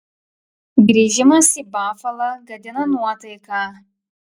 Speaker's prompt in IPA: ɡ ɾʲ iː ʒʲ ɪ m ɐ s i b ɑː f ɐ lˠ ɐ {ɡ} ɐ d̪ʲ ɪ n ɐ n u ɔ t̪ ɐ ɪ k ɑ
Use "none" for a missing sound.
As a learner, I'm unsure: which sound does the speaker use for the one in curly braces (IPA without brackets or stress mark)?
ɡ